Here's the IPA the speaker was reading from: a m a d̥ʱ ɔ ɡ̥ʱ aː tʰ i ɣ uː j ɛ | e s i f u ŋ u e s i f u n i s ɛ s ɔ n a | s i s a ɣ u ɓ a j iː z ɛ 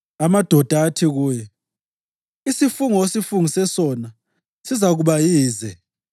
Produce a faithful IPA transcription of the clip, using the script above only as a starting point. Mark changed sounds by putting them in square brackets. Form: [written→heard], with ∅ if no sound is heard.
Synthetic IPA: a m a d̥ʱ ɔ [ɡ̥ʱ→d̥ʱ] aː tʰ i ɣ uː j ɛ | [e→i] s i f u ŋ [u→ɔ] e s i f u [n→ŋ] i s ɛ s ɔ n a | s i [s→z] a ɣ u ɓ a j iː z ɛ